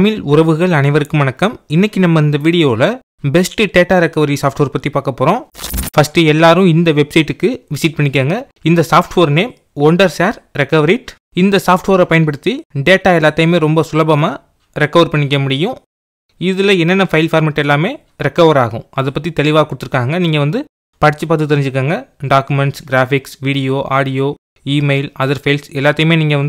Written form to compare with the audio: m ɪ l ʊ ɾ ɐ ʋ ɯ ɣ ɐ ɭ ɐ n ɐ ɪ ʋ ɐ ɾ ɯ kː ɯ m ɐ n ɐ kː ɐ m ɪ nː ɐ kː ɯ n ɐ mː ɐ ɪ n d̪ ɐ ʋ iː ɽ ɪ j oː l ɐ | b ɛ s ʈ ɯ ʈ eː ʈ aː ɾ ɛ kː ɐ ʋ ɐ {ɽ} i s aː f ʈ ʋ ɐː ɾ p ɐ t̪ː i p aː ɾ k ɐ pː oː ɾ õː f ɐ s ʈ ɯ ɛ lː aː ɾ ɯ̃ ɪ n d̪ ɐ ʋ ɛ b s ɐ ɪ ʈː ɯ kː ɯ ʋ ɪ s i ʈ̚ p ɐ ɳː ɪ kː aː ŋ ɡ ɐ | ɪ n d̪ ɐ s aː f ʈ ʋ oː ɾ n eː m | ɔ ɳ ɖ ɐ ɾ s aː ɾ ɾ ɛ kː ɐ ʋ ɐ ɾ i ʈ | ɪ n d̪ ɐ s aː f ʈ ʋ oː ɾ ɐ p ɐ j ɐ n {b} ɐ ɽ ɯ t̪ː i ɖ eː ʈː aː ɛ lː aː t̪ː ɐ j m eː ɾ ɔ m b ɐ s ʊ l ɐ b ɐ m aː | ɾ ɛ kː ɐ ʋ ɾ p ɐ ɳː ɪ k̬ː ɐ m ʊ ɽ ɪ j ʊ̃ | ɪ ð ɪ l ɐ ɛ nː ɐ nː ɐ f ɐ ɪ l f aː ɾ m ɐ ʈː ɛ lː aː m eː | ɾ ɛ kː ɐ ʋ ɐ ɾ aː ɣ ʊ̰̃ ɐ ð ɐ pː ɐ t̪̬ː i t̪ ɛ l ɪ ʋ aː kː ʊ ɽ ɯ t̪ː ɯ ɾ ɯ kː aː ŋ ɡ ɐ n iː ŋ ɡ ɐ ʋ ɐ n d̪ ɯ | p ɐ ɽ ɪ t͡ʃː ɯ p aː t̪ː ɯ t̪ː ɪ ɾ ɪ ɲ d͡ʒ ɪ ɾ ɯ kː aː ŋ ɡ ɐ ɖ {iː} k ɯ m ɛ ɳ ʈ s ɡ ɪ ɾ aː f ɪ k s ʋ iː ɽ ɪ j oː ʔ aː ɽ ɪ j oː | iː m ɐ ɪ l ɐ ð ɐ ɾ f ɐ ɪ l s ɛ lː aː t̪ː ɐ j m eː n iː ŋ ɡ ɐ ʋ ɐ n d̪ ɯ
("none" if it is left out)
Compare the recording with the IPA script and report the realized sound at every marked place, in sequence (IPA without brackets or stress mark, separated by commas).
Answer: ɾ, p, aː